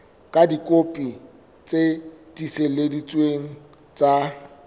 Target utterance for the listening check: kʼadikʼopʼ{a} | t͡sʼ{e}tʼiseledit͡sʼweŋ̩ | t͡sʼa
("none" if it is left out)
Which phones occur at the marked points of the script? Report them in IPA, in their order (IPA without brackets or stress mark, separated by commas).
i, e